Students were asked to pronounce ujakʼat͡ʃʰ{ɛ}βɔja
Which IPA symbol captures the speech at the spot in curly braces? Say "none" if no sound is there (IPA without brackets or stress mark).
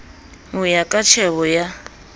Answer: ɛ